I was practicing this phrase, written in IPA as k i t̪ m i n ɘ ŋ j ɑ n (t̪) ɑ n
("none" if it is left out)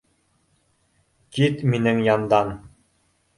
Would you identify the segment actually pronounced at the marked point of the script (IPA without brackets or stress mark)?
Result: d̪